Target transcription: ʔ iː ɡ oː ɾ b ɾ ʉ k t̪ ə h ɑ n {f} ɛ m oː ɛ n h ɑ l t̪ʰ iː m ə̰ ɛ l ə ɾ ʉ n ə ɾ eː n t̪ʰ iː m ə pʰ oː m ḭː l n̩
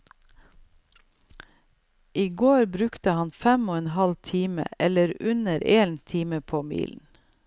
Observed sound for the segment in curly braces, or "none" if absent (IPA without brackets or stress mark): f